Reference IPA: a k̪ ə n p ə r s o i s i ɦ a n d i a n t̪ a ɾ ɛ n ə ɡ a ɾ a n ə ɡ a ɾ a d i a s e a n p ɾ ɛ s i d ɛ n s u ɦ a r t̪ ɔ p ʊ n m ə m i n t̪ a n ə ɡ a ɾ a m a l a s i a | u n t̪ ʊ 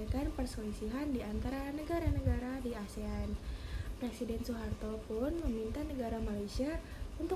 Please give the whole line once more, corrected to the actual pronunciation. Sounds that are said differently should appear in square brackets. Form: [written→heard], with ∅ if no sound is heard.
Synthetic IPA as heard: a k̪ [ə→a] n p ə r s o i s i ɦ a n d i a n t̪ a ɾ [ɛ→a] n ə ɡ a ɾ a n ə ɡ a ɾ a d i a s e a n p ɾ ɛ s i d ɛ n s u ɦ a r t̪ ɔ p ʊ n m ə m i n t̪ a n ə ɡ a ɾ a m a l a s i a | u n t̪ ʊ